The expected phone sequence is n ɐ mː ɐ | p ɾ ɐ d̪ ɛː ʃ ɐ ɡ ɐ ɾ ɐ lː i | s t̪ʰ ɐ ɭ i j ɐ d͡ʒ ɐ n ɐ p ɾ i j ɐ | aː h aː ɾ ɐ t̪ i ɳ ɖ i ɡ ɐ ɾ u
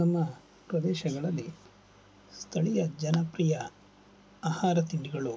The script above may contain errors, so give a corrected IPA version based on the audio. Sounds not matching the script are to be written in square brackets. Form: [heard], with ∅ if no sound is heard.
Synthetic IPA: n ɐ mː ɐ | p ɾ ɐ d̪ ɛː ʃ ɐ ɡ ɐ [ɭ] ɐ lː i | s t̪ʰ ɐ ɭ i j ɐ d͡ʒ ɐ n ɐ p ɾ i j ɐ | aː h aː ɾ ɐ t̪ i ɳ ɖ i ɡ ɐ [ɭ] u